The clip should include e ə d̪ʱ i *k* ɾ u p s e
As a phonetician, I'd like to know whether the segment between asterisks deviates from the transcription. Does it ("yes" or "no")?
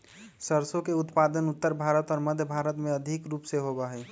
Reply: no